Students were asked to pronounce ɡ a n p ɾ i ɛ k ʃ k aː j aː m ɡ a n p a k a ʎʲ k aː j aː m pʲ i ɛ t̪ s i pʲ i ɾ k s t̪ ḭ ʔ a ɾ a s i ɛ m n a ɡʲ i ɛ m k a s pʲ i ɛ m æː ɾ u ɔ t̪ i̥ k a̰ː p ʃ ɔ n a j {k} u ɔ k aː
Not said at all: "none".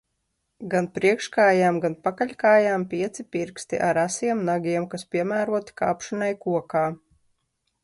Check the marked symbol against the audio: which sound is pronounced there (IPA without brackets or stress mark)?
k